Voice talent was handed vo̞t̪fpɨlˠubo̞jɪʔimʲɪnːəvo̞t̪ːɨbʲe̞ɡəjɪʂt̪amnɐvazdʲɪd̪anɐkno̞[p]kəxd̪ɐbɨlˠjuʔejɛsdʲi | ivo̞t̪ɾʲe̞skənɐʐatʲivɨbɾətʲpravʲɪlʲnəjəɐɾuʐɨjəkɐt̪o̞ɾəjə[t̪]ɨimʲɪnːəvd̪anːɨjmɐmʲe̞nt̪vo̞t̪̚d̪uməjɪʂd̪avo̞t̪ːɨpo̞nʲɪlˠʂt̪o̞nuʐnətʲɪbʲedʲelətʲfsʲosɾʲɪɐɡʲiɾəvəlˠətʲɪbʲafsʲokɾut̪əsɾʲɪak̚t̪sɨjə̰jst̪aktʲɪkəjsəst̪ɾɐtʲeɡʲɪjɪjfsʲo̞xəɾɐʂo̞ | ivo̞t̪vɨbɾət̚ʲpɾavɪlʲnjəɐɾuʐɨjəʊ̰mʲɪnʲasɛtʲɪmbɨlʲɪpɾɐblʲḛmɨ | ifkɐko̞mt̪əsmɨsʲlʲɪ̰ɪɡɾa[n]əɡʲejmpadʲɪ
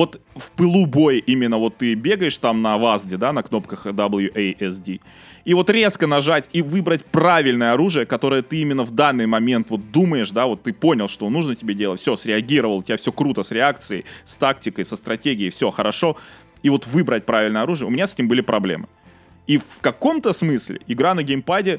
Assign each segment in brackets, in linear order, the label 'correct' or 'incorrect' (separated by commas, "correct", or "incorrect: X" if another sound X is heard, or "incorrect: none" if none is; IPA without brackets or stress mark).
correct, correct, correct